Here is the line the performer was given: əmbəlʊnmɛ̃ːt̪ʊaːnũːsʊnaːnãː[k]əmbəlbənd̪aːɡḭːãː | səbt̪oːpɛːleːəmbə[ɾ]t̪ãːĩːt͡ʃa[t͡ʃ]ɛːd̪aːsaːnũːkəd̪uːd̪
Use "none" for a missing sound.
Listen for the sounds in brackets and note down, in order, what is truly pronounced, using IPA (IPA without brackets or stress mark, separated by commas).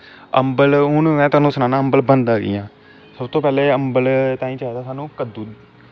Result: none, l, none